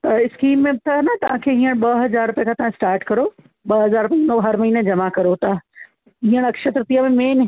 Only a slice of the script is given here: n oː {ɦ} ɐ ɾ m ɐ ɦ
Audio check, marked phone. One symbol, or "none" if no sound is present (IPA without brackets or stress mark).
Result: ɦ